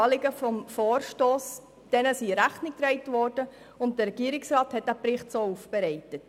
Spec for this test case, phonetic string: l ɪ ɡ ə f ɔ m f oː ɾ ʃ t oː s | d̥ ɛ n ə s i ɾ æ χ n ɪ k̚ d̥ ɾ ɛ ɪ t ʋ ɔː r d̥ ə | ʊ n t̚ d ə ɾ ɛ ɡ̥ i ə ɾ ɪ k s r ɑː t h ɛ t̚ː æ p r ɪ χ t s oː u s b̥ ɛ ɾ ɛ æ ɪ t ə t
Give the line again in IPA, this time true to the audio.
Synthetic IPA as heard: l ɪ ɡ ə f ɔ m f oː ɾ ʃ t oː s | d̥ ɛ n ə s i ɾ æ χ n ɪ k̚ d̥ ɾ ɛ ɪ t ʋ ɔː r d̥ ə | ʊ n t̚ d ə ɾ ɛ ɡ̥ i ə ɾ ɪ k s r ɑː t h ɛ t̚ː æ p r ɪ χ t s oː u f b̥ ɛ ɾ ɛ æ ɪ t ə t